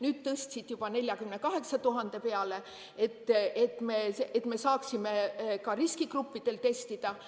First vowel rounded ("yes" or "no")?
yes